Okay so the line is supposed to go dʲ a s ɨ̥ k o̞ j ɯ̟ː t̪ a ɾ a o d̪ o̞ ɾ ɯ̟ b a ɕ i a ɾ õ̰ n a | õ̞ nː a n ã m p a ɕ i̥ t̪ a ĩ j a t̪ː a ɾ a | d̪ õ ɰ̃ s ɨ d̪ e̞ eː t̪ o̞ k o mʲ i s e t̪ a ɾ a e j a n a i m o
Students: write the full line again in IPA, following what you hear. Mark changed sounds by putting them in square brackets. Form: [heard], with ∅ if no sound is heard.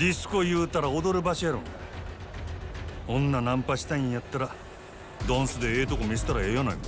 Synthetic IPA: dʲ [i] s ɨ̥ k o̞ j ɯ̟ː t̪ a ɾ a o d̪ o̞ ɾ ɯ̟ b a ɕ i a ɾ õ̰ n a | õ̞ nː a n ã m p a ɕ i̥ t̪ a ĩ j a t̪ː a ɾ a | d̪ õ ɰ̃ s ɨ d̪ e̞ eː t̪ o̞ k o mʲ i s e t̪ a ɾ a e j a n a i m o